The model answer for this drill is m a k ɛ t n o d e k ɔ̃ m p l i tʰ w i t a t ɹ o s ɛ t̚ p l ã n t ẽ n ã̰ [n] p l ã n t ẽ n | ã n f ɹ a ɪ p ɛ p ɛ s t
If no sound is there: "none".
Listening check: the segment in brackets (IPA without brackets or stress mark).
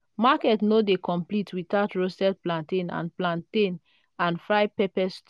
n